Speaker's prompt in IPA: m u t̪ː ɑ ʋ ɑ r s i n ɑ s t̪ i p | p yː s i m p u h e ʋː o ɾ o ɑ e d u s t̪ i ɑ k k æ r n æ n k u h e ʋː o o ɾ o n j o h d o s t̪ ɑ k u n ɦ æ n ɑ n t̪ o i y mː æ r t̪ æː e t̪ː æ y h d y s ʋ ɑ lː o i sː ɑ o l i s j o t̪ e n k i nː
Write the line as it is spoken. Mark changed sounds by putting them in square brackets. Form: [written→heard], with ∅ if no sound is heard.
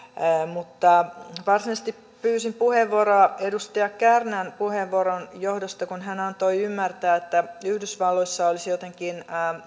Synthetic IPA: m u t̪ː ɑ ʋ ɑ r s i n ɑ s t̪ i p | p yː s i m p u h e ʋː o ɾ o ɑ e d u s t̪ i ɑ k k æ r n æ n [k→p] u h e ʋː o o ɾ o n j o h d o s t̪ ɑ k u n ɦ æ n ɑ n t̪ o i y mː æ r t̪ æː e t̪ː æ y h d y s ʋ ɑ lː o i sː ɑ o l i s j o t̪ e [n→ŋ] k i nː